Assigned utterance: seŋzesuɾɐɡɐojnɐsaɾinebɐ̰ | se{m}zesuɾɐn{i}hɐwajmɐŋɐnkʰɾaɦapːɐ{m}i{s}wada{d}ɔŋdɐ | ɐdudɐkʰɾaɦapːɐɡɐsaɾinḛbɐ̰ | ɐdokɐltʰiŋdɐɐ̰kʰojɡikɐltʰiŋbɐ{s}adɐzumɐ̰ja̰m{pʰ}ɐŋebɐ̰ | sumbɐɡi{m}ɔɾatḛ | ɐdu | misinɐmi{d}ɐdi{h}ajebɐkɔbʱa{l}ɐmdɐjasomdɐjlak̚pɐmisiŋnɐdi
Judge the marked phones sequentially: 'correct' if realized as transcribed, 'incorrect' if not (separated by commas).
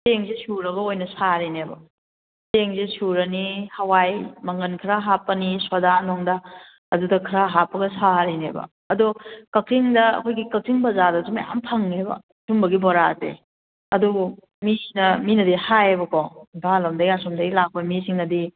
incorrect, correct, incorrect, correct, incorrect, incorrect, correct, incorrect, incorrect, correct, correct